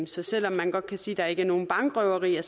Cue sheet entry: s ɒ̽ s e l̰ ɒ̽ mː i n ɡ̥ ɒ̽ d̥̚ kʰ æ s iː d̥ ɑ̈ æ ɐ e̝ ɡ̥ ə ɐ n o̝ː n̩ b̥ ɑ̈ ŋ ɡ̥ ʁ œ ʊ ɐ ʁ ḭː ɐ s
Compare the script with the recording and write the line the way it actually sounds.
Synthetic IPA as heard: s ɒ̽ s e l̰ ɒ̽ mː æ n ɡ̥ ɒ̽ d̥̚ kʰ æ s iː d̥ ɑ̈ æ ɐ e̝ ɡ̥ ə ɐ n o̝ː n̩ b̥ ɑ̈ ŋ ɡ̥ ʁ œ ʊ ɐ ʁ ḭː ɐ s